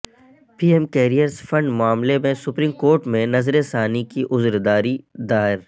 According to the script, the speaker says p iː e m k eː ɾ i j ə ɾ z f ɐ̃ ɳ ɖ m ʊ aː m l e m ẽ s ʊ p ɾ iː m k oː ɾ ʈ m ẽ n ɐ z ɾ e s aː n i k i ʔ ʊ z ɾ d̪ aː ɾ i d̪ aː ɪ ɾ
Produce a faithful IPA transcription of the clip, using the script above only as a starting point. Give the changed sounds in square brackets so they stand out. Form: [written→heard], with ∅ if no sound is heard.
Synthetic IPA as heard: p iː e m k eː ɾ i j ə ɾ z f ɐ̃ ɳ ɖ m ʊ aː m l e m ẽ s ʊ p ɾ iː m k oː ɾ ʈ m ẽ n ɐ z ɾ e s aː n i k i ʔ ʊ z ɾ d̪ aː ɾ i d̪ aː ɪ ɾ